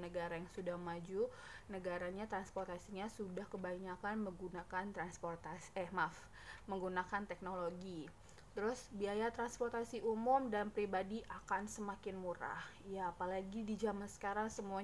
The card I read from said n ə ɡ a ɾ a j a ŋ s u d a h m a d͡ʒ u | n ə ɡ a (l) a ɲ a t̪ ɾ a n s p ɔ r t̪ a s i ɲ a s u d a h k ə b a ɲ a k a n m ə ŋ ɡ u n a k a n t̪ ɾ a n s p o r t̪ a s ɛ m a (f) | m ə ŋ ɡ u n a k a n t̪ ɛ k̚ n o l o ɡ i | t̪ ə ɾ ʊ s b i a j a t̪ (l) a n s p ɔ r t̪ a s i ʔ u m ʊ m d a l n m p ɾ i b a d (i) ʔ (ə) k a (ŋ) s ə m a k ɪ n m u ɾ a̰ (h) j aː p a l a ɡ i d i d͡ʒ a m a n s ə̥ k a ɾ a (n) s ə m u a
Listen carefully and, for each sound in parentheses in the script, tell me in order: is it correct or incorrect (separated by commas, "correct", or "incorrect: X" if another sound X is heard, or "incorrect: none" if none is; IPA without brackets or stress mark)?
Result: incorrect: ɾ, correct, incorrect: ɾ, correct, incorrect: a, incorrect: n, correct, incorrect: ŋ